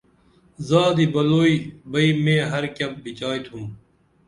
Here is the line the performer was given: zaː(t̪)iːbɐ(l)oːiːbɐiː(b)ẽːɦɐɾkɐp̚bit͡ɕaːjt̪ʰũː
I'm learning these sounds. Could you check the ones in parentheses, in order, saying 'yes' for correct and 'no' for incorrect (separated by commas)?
no, yes, no